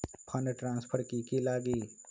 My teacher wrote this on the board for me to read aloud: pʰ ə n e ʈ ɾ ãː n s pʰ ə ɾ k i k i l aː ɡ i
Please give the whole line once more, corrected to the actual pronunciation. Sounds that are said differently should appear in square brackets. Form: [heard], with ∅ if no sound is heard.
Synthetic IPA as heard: pʰ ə n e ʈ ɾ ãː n s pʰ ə ɾ k i k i l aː ɡ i